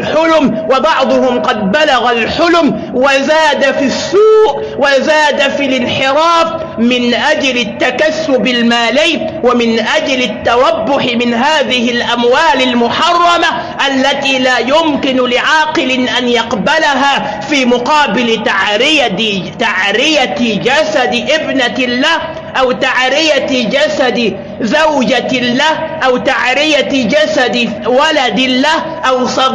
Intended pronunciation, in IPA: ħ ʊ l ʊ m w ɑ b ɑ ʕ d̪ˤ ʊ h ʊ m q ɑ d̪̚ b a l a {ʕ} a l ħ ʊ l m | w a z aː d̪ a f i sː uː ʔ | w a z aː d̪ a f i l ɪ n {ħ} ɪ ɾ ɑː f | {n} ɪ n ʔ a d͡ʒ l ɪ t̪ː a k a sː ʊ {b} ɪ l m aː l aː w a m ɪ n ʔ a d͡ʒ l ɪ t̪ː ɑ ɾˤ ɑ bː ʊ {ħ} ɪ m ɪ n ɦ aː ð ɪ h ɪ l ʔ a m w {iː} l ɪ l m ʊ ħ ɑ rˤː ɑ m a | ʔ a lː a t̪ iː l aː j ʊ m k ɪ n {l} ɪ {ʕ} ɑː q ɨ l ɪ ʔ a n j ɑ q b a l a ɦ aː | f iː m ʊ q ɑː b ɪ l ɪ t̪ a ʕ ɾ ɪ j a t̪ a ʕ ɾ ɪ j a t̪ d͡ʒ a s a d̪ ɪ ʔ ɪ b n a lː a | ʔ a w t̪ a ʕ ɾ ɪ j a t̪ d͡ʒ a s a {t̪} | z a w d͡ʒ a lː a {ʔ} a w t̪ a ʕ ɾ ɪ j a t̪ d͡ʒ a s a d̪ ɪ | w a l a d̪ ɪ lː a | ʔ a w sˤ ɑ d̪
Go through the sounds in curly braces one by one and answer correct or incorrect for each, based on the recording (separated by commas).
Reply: incorrect, correct, incorrect, correct, correct, incorrect, correct, correct, incorrect, correct